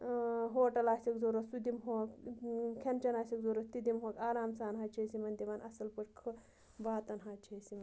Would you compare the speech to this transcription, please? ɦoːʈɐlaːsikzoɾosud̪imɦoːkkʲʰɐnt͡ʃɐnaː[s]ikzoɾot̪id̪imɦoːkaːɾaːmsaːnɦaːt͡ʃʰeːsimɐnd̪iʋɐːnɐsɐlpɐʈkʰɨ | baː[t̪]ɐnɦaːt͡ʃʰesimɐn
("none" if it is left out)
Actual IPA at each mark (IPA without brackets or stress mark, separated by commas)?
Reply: s, t̪